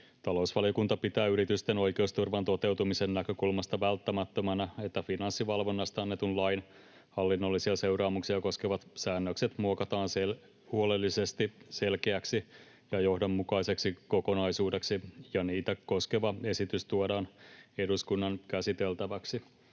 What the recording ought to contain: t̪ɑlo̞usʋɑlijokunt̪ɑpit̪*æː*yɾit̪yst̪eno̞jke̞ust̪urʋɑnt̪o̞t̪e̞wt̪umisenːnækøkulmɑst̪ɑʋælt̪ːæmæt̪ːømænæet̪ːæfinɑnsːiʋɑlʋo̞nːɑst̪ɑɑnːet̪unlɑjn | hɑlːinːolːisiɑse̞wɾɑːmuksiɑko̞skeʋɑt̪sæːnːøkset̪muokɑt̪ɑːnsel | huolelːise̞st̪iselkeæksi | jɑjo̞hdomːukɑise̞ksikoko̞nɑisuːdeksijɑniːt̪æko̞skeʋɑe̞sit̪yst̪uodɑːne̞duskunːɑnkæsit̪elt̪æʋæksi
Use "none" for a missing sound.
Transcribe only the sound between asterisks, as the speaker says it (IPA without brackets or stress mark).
æː